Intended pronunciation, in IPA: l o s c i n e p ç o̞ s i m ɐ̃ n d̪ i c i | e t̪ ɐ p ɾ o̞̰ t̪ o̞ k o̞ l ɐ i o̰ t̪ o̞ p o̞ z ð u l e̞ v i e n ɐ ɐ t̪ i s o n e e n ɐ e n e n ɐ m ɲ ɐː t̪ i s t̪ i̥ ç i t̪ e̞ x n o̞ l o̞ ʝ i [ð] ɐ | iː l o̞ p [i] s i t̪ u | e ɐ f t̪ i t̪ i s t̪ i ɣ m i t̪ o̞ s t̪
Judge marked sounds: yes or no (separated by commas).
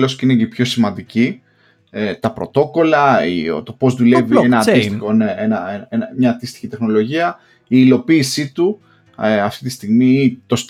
no, no